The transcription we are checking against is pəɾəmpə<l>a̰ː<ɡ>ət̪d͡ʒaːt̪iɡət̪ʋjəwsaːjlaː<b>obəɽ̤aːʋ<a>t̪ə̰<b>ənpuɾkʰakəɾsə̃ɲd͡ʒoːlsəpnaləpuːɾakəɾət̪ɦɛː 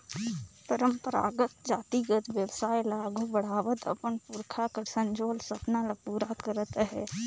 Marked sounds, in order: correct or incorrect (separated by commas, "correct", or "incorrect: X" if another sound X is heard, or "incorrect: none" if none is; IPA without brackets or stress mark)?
incorrect: ɾ, correct, incorrect: ɡ, incorrect: ə, incorrect: p